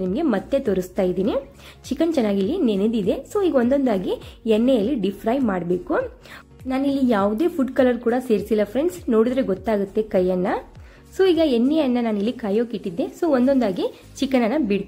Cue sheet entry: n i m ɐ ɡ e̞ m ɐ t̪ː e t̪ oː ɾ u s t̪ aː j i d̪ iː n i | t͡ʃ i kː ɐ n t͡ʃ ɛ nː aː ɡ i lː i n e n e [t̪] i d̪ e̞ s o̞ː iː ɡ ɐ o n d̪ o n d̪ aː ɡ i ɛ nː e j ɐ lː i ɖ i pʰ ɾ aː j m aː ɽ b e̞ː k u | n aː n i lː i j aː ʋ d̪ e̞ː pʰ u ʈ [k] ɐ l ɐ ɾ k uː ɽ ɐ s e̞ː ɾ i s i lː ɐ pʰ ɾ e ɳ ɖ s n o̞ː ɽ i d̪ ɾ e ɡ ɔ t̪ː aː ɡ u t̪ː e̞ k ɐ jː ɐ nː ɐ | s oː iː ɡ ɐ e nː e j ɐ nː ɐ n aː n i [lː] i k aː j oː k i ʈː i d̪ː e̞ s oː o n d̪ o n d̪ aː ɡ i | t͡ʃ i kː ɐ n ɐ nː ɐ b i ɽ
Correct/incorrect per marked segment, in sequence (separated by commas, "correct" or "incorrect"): incorrect, correct, correct